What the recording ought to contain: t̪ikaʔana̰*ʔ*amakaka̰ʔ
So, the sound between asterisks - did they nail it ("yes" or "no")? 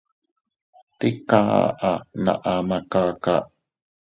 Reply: yes